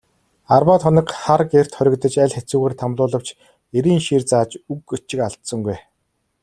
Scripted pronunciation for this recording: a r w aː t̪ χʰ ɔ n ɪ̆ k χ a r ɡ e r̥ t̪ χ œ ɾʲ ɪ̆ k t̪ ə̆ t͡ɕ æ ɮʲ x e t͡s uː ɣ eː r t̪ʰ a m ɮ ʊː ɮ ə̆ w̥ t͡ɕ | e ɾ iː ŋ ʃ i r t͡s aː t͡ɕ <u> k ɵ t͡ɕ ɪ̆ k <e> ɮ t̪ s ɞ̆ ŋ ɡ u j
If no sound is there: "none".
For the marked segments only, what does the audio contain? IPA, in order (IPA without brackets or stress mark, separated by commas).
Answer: u, a